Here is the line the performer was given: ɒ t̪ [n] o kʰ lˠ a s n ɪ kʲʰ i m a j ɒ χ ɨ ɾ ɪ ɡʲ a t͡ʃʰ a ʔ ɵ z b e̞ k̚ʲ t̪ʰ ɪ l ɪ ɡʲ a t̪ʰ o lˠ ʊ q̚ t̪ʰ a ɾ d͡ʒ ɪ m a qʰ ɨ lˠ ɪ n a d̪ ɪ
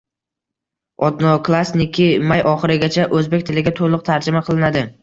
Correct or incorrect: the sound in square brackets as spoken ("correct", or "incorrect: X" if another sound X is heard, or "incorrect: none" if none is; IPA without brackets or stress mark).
correct